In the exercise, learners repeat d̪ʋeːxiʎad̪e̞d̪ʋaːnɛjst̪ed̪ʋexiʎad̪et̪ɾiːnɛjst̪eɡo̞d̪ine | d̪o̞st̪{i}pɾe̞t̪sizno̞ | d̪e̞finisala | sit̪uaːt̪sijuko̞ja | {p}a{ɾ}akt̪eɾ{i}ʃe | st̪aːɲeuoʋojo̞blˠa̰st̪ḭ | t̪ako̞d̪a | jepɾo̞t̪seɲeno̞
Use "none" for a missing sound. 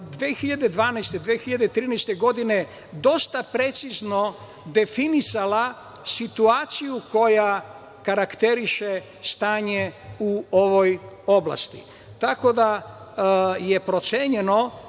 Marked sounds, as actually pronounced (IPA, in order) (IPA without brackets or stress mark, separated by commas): a, k, ɾ, i